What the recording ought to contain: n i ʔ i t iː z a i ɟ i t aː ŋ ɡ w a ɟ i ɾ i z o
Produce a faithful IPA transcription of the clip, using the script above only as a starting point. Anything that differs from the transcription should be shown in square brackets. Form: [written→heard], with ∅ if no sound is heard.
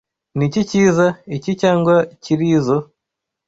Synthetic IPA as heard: n i [ʔ→c] i [t→c] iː z a i [ɟ→c] i [t→c] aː ŋ ɡ w a [ɟ→c] i ɾ i z o